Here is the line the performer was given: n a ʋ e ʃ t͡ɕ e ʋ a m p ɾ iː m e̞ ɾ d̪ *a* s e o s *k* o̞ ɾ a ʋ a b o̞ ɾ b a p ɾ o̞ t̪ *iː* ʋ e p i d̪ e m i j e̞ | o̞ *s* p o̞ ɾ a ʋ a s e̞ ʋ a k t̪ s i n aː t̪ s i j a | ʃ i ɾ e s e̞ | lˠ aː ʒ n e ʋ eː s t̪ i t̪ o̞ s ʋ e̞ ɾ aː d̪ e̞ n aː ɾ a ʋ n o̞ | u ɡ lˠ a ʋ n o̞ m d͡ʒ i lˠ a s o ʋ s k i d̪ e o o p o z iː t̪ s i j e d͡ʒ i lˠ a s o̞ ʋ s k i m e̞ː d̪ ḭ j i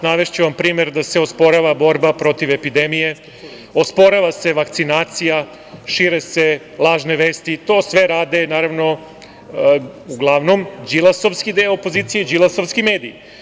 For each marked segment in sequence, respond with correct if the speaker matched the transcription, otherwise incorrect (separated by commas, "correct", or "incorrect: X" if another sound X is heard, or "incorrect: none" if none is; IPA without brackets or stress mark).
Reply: correct, incorrect: p, incorrect: i, correct